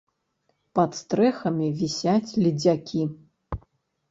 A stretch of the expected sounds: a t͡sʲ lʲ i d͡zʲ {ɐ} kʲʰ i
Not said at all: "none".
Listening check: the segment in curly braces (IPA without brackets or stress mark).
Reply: a